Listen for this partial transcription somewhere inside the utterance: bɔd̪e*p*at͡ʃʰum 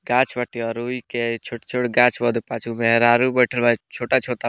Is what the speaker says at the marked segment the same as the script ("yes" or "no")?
yes